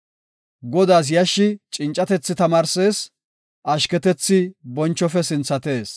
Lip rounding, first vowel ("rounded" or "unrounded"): rounded